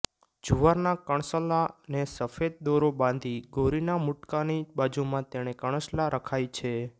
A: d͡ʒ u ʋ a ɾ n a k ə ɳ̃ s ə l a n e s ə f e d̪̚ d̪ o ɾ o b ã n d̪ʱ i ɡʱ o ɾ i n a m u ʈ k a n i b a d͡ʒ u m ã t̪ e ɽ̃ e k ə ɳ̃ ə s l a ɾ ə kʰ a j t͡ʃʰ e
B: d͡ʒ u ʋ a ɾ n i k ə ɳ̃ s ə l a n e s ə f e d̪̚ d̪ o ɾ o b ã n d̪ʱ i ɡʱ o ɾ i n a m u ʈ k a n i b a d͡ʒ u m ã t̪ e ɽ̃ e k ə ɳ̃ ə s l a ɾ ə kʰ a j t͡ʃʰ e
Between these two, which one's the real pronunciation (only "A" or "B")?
A